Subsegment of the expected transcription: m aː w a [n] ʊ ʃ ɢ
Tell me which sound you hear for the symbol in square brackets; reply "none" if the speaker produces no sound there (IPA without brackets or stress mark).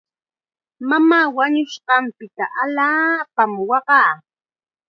ɲ